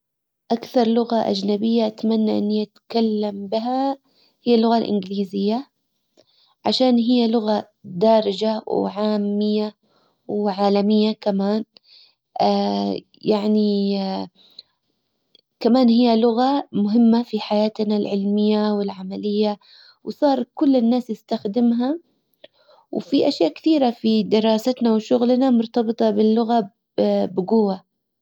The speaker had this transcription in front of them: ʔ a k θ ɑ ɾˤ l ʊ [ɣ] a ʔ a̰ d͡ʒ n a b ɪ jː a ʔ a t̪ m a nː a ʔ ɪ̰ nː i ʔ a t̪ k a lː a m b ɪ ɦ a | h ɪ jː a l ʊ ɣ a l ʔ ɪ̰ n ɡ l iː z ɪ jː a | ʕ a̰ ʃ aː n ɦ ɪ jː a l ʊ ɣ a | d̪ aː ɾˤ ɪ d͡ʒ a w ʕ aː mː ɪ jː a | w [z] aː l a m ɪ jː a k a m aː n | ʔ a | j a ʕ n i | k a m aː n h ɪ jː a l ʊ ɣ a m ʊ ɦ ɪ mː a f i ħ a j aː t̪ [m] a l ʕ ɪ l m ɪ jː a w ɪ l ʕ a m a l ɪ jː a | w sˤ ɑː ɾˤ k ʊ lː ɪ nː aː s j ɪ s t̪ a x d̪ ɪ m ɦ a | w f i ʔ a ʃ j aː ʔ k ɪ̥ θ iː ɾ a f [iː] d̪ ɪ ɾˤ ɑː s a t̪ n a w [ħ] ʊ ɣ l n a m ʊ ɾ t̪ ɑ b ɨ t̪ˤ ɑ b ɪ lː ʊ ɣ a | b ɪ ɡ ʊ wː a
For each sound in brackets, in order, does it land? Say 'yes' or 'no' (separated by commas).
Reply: yes, no, no, no, no